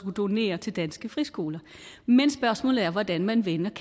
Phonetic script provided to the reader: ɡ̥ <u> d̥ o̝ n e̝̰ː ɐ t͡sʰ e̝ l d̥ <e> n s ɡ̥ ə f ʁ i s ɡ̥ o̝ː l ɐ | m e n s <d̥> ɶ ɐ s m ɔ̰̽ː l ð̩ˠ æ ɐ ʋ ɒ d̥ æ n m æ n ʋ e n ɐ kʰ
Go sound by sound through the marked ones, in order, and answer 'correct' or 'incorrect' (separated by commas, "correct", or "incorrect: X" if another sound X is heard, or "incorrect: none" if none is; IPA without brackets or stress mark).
correct, incorrect: æ, incorrect: b̥